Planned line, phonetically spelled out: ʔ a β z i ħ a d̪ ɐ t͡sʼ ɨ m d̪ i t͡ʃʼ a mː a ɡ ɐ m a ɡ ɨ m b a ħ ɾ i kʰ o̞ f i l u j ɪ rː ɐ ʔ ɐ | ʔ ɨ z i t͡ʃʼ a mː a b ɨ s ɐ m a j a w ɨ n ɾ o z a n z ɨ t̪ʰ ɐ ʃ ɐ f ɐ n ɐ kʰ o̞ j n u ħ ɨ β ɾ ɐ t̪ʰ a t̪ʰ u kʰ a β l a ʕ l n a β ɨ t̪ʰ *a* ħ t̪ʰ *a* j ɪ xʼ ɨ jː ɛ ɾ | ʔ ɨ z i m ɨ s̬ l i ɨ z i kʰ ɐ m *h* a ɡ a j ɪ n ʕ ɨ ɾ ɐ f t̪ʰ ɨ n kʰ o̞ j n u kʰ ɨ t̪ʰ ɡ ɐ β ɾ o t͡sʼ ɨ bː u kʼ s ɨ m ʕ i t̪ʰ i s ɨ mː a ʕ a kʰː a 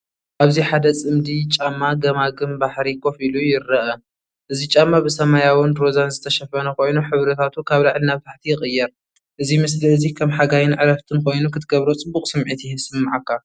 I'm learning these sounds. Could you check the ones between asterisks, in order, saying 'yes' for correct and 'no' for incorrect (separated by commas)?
yes, no, no